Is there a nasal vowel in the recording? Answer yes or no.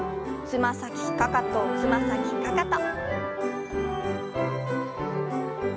no